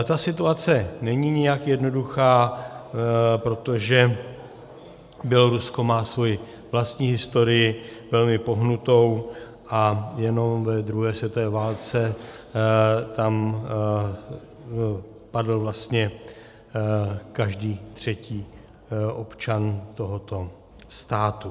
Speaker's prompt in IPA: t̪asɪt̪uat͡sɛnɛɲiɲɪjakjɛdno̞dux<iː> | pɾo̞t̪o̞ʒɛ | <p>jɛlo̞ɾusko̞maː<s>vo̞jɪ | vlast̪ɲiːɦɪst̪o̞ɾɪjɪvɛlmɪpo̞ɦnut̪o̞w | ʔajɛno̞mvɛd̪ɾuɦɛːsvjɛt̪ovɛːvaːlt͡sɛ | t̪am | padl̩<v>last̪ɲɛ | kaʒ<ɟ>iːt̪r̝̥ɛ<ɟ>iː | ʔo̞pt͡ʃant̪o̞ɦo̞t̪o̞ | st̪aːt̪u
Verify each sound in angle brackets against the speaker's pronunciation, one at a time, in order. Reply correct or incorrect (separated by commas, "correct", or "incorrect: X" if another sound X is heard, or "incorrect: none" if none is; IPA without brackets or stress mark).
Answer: incorrect: aː, incorrect: b, correct, correct, incorrect: d, incorrect: c